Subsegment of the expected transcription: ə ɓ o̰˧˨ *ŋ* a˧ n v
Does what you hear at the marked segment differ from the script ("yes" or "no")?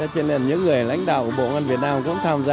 no